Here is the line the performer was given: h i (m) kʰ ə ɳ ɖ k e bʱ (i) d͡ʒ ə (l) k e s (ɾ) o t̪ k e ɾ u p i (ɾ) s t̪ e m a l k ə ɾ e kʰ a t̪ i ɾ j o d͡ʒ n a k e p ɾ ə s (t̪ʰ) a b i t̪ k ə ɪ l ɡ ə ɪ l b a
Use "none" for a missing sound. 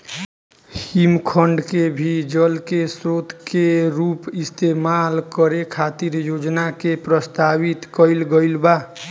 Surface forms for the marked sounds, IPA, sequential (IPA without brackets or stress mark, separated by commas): m, i, l, ɾ, none, t̪